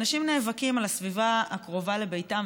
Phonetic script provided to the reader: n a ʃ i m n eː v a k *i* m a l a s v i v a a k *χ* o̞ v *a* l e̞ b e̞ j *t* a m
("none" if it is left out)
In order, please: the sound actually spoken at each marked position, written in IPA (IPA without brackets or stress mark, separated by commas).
i, ʁ, a, t